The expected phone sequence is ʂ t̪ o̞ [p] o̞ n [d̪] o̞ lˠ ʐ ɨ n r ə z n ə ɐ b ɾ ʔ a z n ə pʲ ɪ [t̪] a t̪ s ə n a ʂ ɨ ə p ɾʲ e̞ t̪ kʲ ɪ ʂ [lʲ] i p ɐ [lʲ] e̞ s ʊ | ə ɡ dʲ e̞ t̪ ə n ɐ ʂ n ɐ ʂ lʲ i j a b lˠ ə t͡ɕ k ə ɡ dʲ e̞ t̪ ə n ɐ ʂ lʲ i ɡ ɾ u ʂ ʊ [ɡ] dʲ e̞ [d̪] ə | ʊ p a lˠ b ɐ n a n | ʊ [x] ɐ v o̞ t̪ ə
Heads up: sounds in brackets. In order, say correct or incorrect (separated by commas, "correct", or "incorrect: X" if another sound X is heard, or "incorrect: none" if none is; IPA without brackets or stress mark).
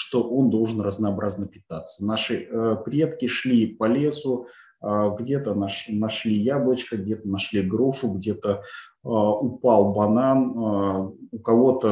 incorrect: ʔ, correct, correct, correct, correct, correct, incorrect: t̪, incorrect: k